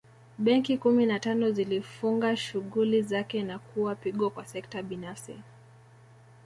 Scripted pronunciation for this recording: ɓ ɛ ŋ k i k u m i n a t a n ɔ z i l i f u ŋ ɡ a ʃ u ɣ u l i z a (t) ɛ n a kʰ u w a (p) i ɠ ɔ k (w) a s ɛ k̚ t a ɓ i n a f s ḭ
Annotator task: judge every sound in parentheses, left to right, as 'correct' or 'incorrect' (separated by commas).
incorrect, correct, correct